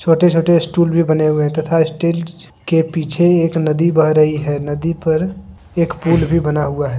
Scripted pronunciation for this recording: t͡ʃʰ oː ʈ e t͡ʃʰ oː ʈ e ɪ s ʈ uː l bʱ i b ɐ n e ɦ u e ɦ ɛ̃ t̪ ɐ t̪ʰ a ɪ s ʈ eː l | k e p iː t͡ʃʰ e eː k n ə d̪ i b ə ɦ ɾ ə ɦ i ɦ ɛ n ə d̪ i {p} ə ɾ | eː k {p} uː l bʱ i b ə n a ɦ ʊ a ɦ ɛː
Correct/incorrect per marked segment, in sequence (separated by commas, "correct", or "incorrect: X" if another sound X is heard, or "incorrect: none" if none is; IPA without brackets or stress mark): correct, correct